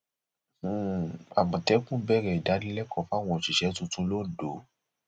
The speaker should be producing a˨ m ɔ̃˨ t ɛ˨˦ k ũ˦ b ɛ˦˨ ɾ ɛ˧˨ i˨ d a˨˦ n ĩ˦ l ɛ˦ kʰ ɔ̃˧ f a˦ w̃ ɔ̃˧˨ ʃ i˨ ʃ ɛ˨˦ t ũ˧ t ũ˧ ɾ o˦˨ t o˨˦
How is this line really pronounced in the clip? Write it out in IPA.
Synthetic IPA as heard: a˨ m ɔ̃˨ t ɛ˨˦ k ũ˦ b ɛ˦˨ ɾ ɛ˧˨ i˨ d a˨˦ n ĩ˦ l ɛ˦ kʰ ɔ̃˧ f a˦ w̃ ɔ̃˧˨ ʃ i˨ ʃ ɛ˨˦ t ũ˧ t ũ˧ l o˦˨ d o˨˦